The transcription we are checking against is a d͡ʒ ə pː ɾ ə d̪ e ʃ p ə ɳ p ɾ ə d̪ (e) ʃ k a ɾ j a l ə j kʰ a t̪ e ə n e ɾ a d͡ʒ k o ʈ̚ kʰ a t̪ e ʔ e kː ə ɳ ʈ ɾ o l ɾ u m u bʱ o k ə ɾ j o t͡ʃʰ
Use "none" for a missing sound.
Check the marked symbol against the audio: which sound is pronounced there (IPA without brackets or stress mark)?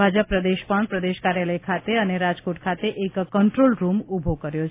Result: e